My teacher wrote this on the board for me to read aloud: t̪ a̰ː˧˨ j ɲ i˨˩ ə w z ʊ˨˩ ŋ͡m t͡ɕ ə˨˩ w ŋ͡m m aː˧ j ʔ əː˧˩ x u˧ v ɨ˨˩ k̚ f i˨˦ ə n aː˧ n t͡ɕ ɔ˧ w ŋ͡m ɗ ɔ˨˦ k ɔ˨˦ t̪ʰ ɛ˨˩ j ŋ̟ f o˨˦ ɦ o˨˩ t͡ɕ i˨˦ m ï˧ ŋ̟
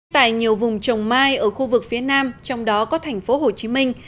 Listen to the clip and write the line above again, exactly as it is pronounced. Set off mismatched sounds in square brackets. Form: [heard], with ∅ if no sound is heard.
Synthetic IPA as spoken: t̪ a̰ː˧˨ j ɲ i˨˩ ə w [v] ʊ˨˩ ŋ͡m t͡ɕ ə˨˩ w ŋ͡m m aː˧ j ʔ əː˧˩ x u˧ v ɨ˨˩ k̚ f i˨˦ ə n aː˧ [m] t͡ɕ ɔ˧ w ŋ͡m ɗ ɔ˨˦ k ɔ˨˦ t̪ʰ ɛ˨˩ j ŋ̟ f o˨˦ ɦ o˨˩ t͡ɕ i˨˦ m ï˧ ŋ̟

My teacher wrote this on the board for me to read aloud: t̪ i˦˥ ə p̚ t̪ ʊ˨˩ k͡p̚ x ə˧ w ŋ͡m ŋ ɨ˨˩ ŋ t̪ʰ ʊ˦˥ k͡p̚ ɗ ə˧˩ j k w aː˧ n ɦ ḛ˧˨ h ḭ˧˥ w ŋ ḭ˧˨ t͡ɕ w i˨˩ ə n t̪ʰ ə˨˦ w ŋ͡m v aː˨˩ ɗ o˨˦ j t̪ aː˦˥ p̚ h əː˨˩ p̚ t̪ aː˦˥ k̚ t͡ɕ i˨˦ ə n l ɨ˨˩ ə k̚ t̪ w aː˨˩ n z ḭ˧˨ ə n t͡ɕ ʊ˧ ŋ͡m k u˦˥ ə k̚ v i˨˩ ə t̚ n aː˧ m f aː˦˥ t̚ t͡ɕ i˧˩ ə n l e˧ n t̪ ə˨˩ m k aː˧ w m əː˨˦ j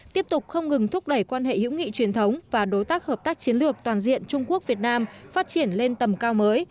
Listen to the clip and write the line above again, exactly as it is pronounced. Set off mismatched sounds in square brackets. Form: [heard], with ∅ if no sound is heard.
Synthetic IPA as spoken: t̪ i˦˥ ə p̚ t̪ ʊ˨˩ k͡p̚ x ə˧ w ŋ͡m ŋ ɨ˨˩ ŋ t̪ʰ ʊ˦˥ k͡p̚ ɗ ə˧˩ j k w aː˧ n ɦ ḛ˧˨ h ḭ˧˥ w ŋ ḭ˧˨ t͡ɕ w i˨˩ ə n t̪ʰ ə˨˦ w ŋ͡m v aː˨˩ ɗ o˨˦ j t̪ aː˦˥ [k̚] h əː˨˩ p̚ t̪ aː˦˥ k̚ t͡ɕ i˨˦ ə n l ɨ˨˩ ə k̚ t̪ w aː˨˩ n z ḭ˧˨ ə n t͡ɕ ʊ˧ ŋ͡m k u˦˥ ə k̚ v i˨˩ ə t̚ n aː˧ m f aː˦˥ t̚ t͡ɕ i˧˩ ə n l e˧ n t̪ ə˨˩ m k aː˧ w m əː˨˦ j

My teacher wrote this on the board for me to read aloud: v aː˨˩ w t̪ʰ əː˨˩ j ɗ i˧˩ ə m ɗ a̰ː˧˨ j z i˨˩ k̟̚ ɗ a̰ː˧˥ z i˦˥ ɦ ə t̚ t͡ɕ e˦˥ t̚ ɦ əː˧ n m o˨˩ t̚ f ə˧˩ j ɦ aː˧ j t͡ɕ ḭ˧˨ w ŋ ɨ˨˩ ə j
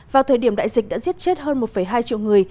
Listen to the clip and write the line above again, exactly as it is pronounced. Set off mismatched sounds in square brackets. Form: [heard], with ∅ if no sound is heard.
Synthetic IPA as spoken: v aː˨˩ w t̪ʰ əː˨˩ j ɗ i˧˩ ə m ɗ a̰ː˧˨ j z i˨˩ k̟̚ ɗ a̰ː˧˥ z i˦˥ [∅] ə t̚ t͡ɕ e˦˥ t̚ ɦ əː˧ n m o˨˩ t̚ f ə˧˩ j ɦ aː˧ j t͡ɕ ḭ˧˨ w ŋ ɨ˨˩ ə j

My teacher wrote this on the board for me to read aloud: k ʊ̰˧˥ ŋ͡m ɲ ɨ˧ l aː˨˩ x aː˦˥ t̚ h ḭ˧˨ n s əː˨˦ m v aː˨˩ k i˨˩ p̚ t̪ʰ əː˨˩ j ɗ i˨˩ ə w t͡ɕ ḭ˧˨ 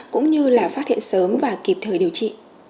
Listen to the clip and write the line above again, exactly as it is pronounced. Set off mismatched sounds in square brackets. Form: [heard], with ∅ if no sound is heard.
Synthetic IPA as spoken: k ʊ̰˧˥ ŋ͡m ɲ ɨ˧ l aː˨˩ [f] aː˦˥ t̚ h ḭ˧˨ n s əː˨˦ m v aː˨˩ k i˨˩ p̚ t̪ʰ əː˨˩ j ɗ i˨˩ ə w t͡ɕ ḭ˧˨

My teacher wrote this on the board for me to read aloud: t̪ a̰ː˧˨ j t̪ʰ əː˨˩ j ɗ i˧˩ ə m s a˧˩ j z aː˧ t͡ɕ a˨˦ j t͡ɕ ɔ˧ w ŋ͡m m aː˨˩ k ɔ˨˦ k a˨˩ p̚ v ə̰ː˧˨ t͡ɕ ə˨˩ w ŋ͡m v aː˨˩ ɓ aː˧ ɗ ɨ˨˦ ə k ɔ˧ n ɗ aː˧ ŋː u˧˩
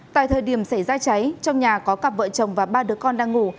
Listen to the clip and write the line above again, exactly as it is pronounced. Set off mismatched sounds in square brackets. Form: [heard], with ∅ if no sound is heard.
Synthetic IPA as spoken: t̪ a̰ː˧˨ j t̪ʰ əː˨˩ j ɗ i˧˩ ə m s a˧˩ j z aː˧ t͡ɕ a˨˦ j t͡ɕ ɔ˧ w ŋ͡m [ɲ] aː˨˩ k ɔ˨˦ k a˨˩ p̚ v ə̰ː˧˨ t͡ɕ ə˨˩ w ŋ͡m v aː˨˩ ɓ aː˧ ɗ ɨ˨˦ ə k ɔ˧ n ɗ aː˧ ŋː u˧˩

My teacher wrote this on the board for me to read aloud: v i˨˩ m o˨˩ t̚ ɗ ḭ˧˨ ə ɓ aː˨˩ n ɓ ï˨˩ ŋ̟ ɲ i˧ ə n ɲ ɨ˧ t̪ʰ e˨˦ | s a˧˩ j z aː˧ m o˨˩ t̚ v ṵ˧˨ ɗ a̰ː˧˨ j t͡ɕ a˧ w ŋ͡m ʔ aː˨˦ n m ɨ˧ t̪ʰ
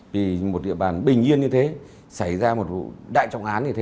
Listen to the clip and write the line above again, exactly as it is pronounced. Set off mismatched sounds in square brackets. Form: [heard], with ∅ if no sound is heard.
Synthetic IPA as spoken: v i˨˩ m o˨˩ t̚ ɗ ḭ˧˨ ə ɓ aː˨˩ n ɓ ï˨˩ ŋ̟ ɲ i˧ ə n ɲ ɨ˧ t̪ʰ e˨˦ | s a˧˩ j z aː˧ m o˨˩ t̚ v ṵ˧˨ ɗ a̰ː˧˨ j t͡ɕ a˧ w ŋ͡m ʔ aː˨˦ n [ɲ] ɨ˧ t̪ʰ

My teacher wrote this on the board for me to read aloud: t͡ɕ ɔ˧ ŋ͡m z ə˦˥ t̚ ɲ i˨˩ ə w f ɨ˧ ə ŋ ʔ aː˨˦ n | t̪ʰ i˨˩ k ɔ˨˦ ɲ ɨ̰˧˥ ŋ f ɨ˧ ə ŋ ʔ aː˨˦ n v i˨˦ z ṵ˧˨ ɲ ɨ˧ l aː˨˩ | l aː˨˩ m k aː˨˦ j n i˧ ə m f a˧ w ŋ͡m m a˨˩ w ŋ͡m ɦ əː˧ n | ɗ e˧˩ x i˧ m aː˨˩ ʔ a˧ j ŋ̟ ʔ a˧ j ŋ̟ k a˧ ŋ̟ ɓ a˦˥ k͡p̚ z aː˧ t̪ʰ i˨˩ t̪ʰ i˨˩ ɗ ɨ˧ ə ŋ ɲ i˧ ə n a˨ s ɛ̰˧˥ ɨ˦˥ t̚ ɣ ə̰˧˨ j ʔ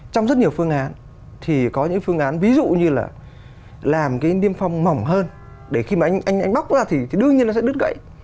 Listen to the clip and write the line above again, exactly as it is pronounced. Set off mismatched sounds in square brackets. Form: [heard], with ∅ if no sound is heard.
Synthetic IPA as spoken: t͡ɕ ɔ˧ ŋ͡m z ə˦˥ t̚ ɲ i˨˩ ə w f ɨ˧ ə ŋ ʔ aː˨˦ n | t̪ʰ i˨˩ k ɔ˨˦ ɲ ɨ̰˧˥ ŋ f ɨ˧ ə ŋ ʔ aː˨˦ n v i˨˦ z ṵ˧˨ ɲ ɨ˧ l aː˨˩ | l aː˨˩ m k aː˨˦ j n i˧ ə m f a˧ w ŋ͡m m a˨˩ w ŋ͡m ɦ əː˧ n | ɗ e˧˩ x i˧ m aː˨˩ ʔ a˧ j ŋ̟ ʔ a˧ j ŋ̟ [ʔ] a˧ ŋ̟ ɓ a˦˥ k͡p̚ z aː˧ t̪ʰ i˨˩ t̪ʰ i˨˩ ɗ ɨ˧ ə ŋ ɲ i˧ ə n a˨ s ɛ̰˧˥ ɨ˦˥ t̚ ɣ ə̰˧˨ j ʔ

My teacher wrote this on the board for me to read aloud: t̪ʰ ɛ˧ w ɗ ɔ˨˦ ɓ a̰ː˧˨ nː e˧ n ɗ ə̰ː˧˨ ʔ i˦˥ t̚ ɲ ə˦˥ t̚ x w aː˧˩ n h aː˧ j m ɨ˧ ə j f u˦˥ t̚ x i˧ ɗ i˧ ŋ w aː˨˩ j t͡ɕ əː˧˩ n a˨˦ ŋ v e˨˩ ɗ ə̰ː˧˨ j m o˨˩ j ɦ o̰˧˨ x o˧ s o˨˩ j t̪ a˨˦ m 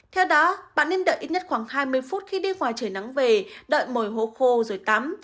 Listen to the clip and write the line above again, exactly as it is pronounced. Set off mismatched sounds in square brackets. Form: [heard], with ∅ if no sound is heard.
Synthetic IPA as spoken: t̪ʰ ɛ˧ w ɗ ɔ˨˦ ɓ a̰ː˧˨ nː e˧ n ɗ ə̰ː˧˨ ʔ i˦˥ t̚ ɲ ə˦˥ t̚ x w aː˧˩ [ŋ] h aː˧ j m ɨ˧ ə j f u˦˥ t̚ x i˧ ɗ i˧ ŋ w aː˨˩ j t͡ɕ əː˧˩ n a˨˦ ŋ v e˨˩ ɗ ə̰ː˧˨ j m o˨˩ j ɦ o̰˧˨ x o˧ [z] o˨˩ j t̪ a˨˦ m

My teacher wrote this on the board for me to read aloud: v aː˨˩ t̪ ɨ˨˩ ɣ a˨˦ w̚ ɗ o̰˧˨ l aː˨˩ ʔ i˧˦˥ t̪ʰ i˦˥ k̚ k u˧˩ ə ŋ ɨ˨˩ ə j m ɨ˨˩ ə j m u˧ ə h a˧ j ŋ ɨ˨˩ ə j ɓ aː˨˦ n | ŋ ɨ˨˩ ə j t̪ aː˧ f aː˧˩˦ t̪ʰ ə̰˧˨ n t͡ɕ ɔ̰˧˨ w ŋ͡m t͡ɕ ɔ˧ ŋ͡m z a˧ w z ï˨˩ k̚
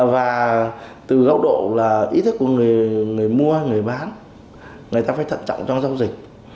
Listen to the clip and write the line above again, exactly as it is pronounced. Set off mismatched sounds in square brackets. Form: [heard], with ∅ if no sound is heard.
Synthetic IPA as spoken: v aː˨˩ t̪ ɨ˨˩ ɣ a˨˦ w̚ ɗ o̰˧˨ l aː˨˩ ʔ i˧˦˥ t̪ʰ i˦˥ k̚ k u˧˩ ə ŋ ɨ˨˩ ə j [ŋ] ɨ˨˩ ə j m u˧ ə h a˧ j ŋ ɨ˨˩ ə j ɓ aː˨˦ n | ŋ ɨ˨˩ ə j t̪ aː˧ f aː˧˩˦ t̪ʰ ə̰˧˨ n t͡ɕ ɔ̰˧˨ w ŋ͡m t͡ɕ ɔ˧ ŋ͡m z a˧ w z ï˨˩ k̚

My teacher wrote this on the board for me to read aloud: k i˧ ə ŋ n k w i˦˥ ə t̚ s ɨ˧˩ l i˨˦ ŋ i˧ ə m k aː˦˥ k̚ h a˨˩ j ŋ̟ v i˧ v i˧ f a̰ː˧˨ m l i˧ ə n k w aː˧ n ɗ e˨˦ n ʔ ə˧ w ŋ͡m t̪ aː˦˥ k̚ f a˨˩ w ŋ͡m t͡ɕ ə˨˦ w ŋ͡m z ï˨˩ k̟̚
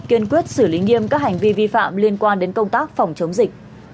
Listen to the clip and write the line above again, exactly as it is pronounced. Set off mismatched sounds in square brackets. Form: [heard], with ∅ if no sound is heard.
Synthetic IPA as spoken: k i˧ ə [∅] n k w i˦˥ ə t̚ s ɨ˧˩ l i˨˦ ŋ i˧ ə m k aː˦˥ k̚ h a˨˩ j ŋ̟ v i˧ v i˧ f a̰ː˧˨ m l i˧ ə n k w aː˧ n ɗ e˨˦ n [k] ə˧ w ŋ͡m t̪ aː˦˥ k̚ f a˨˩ w ŋ͡m t͡ɕ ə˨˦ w ŋ͡m z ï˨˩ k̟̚

